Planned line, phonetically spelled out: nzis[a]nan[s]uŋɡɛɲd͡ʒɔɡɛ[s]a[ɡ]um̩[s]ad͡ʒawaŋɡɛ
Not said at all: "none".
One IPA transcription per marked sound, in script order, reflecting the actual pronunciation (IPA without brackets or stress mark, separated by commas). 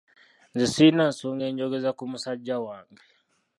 i, s, z, k, s